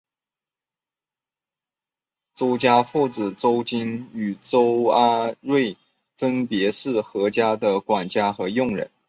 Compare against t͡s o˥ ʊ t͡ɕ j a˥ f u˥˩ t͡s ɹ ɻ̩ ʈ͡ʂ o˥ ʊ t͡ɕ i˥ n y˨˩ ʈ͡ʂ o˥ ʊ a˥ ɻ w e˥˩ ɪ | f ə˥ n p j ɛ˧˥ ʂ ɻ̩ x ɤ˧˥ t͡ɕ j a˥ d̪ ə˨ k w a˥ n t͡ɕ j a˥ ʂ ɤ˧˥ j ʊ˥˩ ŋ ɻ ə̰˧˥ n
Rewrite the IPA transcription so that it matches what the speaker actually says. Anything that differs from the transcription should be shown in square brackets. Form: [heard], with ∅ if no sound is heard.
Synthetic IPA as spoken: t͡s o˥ ʊ t͡ɕ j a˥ f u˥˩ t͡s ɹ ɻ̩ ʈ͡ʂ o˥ ʊ t͡ɕ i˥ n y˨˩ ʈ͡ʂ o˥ ʊ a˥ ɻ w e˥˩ ɪ | f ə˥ n p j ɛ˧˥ ʂ ɻ̩ x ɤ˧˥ t͡ɕ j a˥ d̪ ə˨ k w [a˨˩] n t͡ɕ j a˥ [x] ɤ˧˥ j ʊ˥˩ ŋ ɻ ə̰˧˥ n